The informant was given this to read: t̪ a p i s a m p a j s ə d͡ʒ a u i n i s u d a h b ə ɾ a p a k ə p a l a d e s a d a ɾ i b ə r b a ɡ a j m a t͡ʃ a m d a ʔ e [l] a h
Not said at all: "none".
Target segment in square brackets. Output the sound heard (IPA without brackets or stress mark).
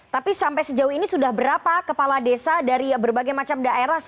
ɾ